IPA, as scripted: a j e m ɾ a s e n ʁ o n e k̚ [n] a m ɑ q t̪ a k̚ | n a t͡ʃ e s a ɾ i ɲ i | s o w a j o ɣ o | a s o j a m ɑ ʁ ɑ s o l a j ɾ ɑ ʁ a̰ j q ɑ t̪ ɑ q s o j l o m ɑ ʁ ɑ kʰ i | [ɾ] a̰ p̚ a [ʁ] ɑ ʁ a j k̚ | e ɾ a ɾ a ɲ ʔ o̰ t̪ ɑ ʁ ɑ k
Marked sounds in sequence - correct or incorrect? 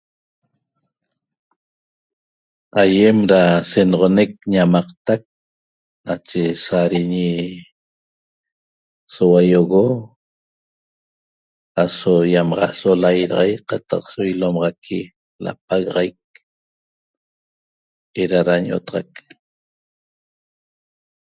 incorrect, incorrect, incorrect

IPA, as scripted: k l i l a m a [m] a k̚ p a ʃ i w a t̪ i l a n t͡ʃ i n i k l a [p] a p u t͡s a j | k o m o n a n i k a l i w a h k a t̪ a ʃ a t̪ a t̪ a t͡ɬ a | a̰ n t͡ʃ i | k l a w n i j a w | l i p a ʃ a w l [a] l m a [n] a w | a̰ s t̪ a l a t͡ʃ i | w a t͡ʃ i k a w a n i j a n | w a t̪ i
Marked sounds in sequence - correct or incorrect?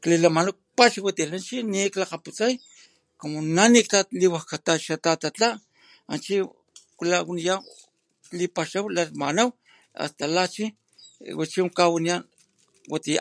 incorrect, incorrect, correct, correct

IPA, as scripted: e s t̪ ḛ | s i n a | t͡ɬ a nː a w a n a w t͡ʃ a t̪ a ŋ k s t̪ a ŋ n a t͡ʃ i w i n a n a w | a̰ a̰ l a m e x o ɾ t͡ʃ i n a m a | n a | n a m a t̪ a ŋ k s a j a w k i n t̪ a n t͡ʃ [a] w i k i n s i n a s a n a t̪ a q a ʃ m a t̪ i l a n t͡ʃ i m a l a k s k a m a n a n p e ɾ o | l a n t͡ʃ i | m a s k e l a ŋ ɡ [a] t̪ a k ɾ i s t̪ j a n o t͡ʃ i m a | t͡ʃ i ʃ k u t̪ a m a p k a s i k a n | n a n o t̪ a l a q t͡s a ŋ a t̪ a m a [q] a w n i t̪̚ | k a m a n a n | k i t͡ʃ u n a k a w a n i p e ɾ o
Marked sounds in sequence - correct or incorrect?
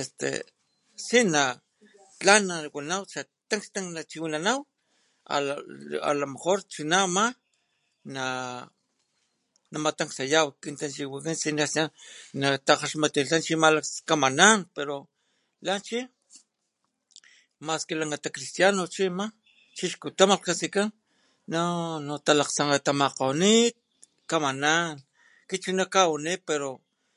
incorrect, correct, correct

